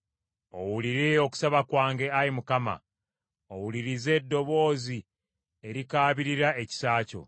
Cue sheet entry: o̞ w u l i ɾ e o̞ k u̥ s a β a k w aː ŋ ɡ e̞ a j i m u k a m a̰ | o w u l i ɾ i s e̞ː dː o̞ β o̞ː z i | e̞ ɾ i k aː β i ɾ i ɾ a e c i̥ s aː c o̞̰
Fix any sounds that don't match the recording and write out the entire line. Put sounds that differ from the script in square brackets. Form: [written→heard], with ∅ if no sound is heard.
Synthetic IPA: o̞ w u l i ɾ e o̞ k u̥ s a β a k w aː ŋ ɡ e̞ a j i m u k a m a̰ | o w u l i ɾ i [s→z] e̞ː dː o̞ β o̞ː z i | e̞ ɾ i k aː β i ɾ i ɾ a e c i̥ s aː c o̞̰